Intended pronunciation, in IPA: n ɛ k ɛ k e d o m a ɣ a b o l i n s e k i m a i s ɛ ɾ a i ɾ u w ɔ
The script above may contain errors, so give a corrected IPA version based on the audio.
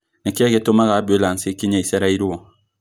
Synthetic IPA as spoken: n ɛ k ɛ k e t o m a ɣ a b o l a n s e k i ɲ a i s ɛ ɾ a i ɾ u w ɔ